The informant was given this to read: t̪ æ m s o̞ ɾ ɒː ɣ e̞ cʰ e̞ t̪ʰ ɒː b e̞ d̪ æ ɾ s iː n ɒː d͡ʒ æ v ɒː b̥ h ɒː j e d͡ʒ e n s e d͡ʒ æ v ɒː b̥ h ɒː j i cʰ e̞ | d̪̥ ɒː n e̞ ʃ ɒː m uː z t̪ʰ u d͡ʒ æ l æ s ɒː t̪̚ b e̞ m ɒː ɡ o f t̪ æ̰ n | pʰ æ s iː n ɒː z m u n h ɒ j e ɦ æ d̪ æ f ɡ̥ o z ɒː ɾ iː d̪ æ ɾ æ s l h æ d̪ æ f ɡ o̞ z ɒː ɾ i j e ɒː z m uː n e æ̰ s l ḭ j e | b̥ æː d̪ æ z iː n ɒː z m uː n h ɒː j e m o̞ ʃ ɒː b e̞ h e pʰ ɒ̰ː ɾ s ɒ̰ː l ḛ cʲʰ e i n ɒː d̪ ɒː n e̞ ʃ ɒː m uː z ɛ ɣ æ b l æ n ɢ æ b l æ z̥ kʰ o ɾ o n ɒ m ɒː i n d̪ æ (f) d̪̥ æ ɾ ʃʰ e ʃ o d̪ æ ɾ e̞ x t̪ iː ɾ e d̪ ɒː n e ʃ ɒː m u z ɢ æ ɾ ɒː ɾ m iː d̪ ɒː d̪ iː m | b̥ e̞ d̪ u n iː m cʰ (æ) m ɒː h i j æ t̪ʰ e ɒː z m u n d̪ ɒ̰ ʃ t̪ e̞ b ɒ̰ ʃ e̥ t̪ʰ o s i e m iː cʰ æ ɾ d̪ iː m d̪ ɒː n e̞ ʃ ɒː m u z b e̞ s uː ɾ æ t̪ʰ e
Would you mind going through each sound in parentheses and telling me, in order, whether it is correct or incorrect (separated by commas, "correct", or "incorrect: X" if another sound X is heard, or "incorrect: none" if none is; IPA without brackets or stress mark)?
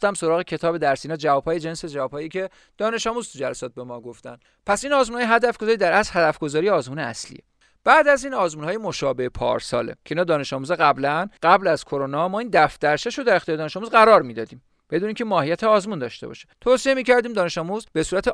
correct, incorrect: e